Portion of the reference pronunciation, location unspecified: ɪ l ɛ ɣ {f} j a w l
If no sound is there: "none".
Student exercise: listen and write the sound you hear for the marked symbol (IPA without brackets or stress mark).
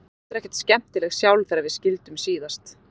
s